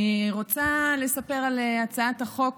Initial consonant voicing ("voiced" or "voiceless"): voiced